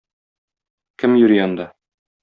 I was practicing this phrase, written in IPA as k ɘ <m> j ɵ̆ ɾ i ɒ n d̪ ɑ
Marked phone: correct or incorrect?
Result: correct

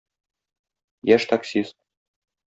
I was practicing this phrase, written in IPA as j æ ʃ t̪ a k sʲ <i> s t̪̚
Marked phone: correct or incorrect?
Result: correct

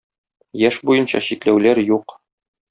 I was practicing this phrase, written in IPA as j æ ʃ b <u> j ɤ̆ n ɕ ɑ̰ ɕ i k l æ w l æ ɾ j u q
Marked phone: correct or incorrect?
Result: correct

